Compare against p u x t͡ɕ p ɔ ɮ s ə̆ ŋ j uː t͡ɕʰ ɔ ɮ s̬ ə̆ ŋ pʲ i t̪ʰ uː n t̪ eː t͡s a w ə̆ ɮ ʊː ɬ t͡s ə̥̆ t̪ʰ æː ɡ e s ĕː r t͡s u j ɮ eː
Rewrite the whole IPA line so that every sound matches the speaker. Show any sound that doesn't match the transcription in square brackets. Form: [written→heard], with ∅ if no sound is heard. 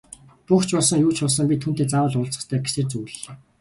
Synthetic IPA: p u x t͡ɕ p ɔ ɮ s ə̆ ŋ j uː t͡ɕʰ ɔ ɮ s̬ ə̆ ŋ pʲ i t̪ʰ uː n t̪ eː t͡s a w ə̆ ɮ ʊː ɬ t͡s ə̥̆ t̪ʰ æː ɡ e s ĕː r t͡s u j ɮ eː

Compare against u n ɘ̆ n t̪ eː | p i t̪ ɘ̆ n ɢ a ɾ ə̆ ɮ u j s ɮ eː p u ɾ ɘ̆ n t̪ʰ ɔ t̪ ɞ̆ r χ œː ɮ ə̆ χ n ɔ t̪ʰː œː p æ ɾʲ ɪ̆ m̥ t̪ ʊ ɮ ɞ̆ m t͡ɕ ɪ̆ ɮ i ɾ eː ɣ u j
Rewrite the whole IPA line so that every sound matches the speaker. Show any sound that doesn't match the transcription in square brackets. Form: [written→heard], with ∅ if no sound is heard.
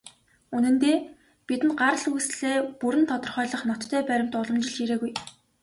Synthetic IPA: u n ɘ̆ n t̪ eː | p i t̪ ɘ̆ n ɢ a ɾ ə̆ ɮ u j s ɮ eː p u ɾ ɘ̆ n t̪ʰ ɔ t̪ ɞ̆ r χ œː ɮ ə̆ χ n ɔ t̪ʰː œː p æ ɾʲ ɪ̆ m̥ t̪ ʊ ɮ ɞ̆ m t͡ɕ ɪ̆ ɮ i ɾ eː ɣ u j

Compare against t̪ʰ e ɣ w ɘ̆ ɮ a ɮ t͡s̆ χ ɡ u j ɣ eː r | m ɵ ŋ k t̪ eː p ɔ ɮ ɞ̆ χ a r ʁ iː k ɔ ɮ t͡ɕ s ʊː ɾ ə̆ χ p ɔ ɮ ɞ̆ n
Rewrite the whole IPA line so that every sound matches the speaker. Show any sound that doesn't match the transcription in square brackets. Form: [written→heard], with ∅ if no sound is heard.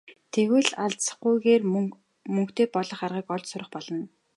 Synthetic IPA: t̪ʰ e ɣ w ɘ̆ ɮ a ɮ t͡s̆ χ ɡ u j ɣ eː r | m ɵ ŋ k t̪ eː p ɔ ɮ ɞ̆ χ a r ʁ iː k ɔ ɮ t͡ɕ s [ʊː→ʊ] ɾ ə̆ χ p ɔ ɮ ɞ̆ n

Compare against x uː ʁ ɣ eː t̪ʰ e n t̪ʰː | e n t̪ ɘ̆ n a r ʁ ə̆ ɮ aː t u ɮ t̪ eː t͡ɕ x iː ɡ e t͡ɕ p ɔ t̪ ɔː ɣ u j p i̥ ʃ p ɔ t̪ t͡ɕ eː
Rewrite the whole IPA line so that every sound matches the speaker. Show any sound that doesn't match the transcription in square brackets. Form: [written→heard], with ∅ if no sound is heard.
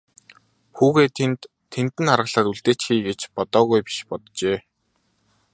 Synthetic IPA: x uː [ʁ→∅] ɣ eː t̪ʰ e n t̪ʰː | e n t̪ ɘ̆ n a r ʁ ə̆ ɮ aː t u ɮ t̪ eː t͡ɕ x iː ɡ e t͡ɕ p ɔ t̪ ɔː ɣ u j p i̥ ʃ p ɔ t̪ t͡ɕ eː

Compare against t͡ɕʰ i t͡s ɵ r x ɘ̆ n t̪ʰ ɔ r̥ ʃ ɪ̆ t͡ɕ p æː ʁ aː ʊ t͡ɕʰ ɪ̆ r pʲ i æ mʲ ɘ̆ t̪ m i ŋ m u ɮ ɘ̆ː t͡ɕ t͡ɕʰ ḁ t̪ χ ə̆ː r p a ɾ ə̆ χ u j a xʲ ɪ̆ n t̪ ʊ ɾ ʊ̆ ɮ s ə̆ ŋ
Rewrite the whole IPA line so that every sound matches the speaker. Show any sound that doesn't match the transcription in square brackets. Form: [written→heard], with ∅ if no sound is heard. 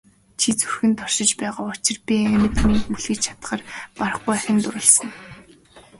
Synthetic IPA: t͡ɕʰ i t͡s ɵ r x ɘ̆ n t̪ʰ ɔ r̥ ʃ ɪ̆ t͡ɕ p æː ʁ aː ʊ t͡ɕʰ ɪ̆ r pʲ i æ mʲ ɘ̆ t̪ m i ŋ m u ɮ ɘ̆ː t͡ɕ t͡ɕʰ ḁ t̪ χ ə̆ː r p a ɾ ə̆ χ u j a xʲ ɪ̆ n t̪ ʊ ɾ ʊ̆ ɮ s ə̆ ŋ

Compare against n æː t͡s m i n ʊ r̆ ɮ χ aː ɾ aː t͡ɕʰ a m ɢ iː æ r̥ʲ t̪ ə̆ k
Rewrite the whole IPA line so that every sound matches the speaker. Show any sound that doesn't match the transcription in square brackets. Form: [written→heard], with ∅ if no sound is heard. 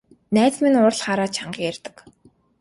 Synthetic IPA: n æː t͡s m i n ʊ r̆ ɮ χ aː ɾ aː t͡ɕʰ a [m→ɴ] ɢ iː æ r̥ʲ t̪ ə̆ k

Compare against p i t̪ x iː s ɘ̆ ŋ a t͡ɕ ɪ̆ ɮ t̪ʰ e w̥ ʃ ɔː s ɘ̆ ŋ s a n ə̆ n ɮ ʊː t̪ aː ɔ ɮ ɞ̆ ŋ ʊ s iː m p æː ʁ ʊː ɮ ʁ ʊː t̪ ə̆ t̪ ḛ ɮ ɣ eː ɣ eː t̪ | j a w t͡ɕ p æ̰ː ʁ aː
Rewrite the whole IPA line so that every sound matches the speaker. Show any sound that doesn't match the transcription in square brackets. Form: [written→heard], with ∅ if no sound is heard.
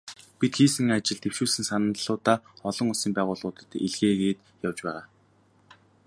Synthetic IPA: p i t̪ x iː s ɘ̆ ŋ a t͡ɕ ɪ̆ ɮ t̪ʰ e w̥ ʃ [ɔː→uː] s ɘ̆ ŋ s a n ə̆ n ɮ ʊː t̪ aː ɔ ɮ ɞ̆ ŋ ʊ s iː m p æː ʁ ʊː ɮ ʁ ʊː t̪ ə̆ t̪ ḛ ɮ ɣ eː ɣ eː t̪ | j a w t͡ɕ p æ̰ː ʁ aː

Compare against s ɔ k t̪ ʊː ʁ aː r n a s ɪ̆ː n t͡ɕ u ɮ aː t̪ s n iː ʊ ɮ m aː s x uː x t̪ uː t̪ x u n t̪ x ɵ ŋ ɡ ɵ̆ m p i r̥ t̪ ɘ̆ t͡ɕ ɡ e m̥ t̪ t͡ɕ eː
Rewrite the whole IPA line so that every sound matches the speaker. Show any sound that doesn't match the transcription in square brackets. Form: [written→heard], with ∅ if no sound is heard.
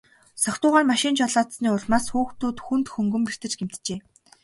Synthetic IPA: s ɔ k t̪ ʊː ʁ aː r [n→m] a [s→ʃ] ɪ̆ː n t͡ɕ [u→ɔ] ɮ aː t̪ s n iː ʊ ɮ m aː s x uː x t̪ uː t̪ x u n t̪ x ɵ ŋ ɡ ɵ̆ m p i r̥ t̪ ɘ̆ t͡ɕ ɡ e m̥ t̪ t͡ɕ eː

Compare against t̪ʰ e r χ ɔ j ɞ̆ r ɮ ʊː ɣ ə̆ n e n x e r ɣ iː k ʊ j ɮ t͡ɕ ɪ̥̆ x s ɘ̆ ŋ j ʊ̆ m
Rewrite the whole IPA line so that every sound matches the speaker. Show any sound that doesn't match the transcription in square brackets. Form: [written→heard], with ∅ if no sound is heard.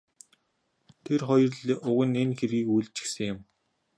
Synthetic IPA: t̪ʰ e r χ ɔ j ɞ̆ r ɮ [ʊː→ʊ] ɣ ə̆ n e n x e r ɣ iː k [ʊ→u] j ɮ t͡ɕ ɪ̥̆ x s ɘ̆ ŋ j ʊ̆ m

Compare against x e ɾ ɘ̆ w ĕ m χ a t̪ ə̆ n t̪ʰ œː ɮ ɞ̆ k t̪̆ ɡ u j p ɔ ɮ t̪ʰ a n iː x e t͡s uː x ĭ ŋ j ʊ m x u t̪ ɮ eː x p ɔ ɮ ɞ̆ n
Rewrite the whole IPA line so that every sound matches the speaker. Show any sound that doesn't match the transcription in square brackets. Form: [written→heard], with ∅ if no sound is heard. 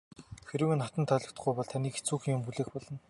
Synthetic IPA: x e ɾ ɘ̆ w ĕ [m→n] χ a t̪ ə̆ n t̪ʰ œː ɮ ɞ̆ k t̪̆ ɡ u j p ɔ ɮ t̪ʰ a n iː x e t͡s uː x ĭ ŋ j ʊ m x u [t̪→∅] ɮ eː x p ɔ ɮ ɞ̆ n

